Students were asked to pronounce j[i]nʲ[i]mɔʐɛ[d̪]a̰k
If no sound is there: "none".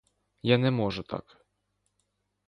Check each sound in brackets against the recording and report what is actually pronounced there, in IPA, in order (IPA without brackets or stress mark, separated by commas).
a, ɛ, t̪